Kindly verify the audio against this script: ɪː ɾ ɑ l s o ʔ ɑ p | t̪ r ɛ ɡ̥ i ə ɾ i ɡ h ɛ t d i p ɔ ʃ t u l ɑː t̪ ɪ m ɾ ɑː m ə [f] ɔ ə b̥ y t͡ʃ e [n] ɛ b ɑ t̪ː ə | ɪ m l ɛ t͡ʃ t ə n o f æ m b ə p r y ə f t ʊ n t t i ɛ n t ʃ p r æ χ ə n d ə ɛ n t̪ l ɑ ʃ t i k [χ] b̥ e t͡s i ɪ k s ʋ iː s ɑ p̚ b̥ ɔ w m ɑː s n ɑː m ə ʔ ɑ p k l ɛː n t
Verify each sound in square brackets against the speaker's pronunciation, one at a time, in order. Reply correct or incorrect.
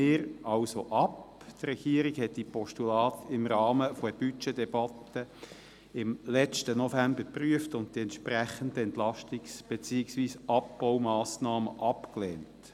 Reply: correct, incorrect, incorrect

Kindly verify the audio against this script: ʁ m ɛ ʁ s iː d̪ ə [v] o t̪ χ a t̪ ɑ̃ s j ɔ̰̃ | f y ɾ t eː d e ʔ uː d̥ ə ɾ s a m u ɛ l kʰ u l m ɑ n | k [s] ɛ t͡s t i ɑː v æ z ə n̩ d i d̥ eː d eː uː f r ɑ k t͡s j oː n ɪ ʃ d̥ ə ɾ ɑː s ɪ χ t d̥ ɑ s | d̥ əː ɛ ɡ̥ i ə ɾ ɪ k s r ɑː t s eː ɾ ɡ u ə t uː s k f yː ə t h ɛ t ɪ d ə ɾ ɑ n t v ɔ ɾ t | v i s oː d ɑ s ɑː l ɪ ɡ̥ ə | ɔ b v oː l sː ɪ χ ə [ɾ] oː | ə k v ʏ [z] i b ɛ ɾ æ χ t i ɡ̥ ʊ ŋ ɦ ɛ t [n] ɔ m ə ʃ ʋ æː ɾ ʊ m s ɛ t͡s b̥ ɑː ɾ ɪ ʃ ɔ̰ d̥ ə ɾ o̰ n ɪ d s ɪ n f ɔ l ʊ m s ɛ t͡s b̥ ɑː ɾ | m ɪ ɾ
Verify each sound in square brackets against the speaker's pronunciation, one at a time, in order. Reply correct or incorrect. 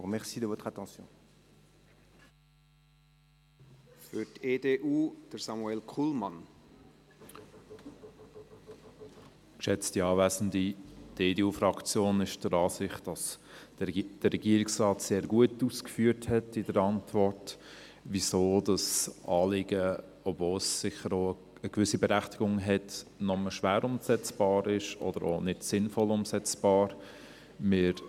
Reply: correct, incorrect, correct, incorrect, correct

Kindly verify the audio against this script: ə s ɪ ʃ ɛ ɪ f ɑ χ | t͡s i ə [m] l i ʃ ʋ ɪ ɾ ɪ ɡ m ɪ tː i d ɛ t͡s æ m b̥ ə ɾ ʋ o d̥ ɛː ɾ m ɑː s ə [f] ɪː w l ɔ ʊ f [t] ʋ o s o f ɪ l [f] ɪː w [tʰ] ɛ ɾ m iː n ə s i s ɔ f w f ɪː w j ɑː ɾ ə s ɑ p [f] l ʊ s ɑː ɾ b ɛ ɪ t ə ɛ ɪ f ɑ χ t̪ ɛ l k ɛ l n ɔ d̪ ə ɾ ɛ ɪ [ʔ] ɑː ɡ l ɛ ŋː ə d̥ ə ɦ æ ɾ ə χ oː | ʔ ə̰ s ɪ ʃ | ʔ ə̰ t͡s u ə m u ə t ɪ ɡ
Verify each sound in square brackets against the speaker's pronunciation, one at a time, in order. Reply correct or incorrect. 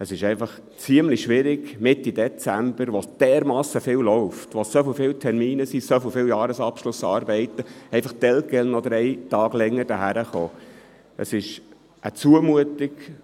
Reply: correct, correct, correct, correct, correct, incorrect, incorrect

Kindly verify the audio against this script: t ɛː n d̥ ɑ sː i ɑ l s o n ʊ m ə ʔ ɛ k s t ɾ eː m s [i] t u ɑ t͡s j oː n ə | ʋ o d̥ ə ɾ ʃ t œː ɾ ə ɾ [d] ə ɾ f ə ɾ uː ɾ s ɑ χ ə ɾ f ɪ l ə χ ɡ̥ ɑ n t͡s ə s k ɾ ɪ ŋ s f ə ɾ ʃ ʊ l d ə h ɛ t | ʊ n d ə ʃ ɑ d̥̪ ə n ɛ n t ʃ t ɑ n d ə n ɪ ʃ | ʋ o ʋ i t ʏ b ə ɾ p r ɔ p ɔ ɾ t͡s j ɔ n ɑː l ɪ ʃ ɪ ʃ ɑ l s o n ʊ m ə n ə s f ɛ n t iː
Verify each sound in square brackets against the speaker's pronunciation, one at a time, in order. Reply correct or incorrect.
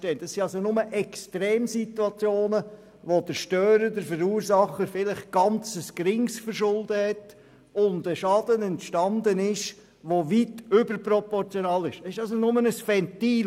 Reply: correct, correct

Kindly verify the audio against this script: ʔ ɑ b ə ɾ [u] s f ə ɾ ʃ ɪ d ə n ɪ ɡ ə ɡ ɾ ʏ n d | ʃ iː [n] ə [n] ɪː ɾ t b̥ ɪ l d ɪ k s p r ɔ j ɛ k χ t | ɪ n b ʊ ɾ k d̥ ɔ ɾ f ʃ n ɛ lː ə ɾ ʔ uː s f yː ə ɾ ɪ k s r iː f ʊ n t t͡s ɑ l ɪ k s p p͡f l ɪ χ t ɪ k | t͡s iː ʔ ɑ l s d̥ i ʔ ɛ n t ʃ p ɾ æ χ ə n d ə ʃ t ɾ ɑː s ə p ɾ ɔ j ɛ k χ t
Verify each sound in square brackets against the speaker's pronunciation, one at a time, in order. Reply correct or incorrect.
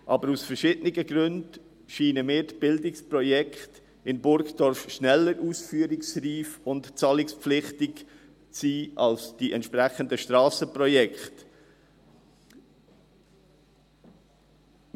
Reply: correct, correct, incorrect

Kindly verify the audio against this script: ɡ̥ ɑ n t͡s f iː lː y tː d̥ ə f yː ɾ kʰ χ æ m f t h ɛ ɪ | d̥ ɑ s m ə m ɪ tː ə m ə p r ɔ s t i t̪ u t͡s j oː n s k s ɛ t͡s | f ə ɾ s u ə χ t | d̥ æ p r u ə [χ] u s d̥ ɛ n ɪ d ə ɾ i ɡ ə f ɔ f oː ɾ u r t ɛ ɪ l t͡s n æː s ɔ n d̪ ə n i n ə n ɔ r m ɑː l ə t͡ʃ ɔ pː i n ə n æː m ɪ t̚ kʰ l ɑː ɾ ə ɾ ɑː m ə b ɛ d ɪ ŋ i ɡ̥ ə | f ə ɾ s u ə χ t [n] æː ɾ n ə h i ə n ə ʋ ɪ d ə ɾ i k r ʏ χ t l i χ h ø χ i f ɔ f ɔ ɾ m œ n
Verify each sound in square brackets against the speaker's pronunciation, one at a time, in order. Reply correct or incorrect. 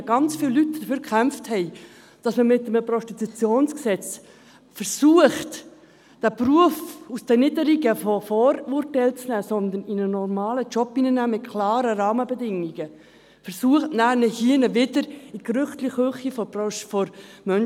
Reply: incorrect, correct

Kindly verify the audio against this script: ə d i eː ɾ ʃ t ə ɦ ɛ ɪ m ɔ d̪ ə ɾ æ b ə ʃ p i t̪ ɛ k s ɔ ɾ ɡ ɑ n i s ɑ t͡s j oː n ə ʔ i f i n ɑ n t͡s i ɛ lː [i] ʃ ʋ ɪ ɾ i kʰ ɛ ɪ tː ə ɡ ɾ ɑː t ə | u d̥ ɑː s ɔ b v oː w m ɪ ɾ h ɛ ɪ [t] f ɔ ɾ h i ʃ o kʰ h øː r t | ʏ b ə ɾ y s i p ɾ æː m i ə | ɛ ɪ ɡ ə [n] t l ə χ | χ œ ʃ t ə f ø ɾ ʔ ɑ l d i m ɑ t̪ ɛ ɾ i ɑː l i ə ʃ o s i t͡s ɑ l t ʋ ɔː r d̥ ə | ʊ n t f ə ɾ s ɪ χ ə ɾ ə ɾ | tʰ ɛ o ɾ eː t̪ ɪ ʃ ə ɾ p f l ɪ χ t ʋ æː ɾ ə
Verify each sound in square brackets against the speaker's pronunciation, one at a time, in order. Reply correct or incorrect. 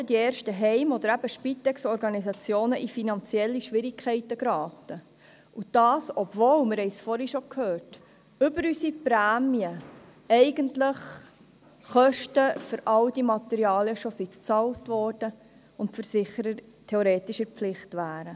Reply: correct, incorrect, correct

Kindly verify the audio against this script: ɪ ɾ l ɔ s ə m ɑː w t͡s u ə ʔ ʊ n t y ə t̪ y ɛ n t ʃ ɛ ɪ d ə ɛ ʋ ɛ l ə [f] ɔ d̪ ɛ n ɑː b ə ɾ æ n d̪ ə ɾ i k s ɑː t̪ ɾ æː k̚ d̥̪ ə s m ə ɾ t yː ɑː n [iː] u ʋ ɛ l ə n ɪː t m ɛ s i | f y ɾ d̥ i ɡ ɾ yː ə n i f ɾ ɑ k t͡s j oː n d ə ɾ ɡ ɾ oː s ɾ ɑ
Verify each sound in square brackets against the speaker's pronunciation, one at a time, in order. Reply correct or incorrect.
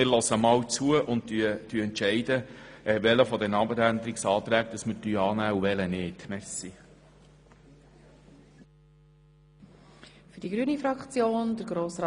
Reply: correct, incorrect

